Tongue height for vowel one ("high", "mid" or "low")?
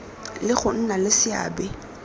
high